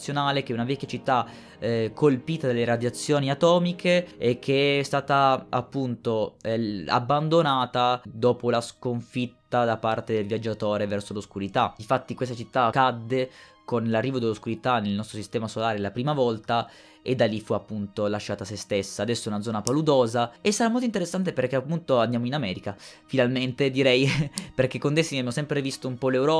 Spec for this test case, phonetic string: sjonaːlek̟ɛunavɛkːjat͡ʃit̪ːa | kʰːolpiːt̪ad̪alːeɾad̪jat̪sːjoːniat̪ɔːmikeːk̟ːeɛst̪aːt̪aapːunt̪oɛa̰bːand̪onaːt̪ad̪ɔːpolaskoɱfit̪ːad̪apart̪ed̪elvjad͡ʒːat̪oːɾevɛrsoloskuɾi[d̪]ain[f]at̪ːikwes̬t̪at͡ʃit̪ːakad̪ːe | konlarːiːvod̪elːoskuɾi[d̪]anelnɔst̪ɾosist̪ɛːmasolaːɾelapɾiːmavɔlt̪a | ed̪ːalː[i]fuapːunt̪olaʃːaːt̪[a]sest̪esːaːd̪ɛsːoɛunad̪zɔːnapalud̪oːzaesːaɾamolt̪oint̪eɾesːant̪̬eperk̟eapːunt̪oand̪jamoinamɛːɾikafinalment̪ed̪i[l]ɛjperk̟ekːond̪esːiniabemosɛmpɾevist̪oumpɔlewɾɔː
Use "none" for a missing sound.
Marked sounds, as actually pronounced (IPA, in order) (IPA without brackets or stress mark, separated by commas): t̪, f, t̪, i, a, ɾ